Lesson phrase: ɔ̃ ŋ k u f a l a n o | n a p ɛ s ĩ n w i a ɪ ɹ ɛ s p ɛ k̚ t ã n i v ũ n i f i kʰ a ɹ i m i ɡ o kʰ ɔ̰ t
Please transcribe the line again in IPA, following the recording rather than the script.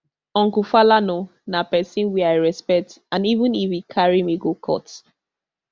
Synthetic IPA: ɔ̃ ŋ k u f a l a n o | n a p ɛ s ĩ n w i a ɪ ɹ ɛ s p ɛ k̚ t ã n i v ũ n i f i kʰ a ɹ i m i ɡ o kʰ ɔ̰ t